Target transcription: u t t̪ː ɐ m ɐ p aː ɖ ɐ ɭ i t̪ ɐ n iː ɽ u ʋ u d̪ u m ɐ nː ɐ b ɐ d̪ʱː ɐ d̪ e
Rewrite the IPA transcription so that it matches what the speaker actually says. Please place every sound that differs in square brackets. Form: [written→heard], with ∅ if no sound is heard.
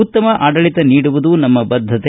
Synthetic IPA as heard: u t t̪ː ɐ m ɐ [p→ʔ] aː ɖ ɐ ɭ i t̪ ɐ n iː ɽ u ʋ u d̪ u [m→n] ɐ [nː→mː] ɐ b ɐ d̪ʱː ɐ [d̪→t̪] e